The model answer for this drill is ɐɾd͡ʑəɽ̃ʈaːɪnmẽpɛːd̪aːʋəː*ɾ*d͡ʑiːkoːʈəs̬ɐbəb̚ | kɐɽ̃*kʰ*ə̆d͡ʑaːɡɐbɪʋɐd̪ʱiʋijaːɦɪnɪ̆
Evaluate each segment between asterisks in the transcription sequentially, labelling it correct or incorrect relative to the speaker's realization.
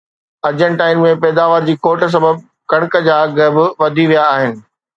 correct, incorrect: k

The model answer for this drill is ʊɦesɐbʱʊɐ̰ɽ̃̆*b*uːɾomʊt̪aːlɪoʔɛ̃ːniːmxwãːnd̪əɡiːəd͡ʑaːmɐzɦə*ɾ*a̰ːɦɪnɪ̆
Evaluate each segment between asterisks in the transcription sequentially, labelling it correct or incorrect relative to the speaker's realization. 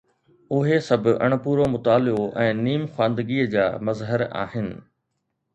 incorrect: p, correct

